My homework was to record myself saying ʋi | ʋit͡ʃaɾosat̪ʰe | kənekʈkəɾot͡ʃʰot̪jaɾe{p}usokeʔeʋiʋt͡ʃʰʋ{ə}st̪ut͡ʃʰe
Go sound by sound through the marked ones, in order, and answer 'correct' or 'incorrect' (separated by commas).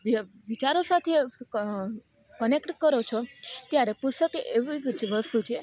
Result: correct, correct